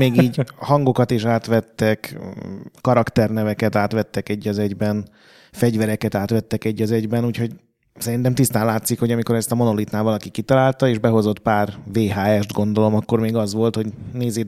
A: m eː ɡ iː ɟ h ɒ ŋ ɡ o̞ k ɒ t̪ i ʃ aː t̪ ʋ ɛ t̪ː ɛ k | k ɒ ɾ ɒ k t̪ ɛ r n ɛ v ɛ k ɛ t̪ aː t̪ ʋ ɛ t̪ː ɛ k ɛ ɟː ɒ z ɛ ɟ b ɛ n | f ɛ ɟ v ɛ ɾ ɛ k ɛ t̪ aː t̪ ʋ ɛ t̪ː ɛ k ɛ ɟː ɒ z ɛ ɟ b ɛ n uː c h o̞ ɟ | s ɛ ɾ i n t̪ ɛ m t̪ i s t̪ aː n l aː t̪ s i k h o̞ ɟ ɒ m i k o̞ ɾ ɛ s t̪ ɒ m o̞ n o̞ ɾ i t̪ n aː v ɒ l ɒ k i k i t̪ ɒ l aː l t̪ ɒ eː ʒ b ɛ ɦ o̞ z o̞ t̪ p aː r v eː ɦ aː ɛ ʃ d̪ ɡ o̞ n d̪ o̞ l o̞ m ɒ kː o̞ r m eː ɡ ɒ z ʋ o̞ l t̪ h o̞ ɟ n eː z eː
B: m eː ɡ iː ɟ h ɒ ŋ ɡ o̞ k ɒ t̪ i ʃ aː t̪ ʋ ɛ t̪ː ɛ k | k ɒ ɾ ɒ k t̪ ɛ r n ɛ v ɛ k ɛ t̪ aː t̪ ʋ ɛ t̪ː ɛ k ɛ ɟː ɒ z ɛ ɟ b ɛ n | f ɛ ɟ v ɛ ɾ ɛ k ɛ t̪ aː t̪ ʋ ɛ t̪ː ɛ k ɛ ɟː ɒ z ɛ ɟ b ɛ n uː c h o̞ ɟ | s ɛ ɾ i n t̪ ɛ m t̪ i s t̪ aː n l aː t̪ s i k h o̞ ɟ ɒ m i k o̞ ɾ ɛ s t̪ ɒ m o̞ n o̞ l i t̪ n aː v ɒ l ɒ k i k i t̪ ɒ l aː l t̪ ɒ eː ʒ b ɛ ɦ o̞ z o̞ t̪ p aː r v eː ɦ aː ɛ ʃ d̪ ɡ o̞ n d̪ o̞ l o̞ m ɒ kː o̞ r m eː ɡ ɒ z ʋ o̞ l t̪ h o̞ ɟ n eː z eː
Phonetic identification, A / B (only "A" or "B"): B